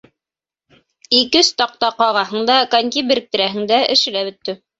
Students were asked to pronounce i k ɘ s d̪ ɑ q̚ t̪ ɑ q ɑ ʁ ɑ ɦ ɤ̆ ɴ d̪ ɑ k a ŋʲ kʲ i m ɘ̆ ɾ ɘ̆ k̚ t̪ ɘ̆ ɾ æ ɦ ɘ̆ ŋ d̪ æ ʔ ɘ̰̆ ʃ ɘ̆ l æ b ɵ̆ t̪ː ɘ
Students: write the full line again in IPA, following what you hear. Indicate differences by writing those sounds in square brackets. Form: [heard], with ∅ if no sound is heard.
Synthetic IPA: i k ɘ s [t̪] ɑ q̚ t̪ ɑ q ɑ ʁ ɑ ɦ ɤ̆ ɴ d̪ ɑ k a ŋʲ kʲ i [b] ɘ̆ ɾ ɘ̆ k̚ t̪ ɘ̆ ɾ æ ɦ ɘ̆ ŋ d̪ æ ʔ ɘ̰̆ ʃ ɘ̆ l æ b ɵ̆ t̪ː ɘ